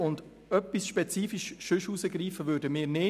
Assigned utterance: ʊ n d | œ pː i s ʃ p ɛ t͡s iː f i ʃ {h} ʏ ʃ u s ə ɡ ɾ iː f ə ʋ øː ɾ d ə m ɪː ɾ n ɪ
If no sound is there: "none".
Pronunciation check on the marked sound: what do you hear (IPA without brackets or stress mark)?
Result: ʃ